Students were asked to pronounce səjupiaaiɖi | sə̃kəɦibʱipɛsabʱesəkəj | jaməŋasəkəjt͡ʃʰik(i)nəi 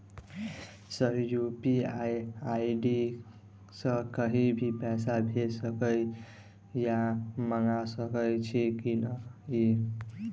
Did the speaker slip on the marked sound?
no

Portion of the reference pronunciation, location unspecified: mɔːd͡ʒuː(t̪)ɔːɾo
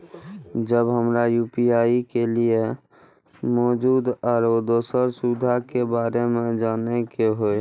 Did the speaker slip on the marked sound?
yes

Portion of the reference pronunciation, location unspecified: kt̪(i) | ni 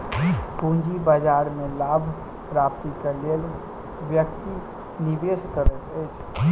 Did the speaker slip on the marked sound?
no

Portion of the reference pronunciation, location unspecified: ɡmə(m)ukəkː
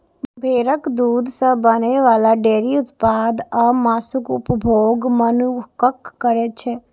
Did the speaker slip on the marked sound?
yes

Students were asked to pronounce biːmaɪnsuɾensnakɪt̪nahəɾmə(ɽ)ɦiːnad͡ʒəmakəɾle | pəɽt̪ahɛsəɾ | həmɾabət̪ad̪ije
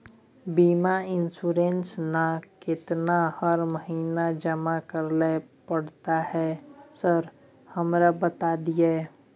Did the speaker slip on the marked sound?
yes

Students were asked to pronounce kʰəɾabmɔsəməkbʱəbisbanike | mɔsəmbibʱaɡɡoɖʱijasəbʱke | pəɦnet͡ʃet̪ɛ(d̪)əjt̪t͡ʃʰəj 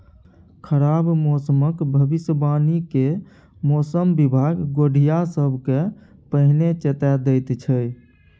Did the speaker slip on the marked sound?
no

